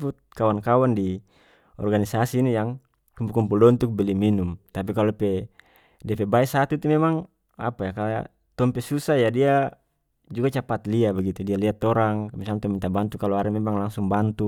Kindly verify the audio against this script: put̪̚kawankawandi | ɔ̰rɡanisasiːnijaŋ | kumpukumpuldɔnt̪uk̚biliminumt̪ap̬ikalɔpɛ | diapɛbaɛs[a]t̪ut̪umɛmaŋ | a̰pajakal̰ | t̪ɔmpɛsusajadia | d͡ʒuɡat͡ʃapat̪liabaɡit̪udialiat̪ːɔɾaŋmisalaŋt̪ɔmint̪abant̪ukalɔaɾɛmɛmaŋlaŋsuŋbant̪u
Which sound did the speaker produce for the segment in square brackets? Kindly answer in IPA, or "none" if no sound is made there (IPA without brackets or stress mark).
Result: a